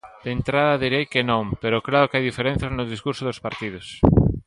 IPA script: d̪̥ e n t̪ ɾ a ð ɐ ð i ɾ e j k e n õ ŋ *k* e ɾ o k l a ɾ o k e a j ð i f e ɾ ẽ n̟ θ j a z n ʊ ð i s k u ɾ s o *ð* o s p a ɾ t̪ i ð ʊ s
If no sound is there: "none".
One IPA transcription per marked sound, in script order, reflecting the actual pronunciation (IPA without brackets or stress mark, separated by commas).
p, ð